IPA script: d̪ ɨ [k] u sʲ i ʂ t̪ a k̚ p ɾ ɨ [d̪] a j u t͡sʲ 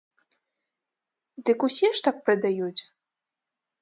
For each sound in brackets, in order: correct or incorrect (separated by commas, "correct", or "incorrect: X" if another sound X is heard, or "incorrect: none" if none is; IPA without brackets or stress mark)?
correct, correct